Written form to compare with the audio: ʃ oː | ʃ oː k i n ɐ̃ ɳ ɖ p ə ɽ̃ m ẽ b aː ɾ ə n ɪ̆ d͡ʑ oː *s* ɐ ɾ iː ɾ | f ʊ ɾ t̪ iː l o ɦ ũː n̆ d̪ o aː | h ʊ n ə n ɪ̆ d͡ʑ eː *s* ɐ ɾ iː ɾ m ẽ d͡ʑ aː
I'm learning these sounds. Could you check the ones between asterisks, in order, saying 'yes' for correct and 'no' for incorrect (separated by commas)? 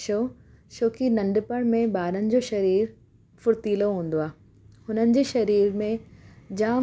no, no